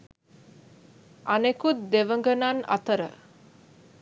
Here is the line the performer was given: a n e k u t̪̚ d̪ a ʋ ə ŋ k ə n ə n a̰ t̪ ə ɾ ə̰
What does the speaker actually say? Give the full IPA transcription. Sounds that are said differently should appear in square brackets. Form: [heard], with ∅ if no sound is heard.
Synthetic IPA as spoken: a n e k u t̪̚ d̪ [e] ʋ ə ŋ [ɡ] ə n [a] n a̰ t̪ ə ɾ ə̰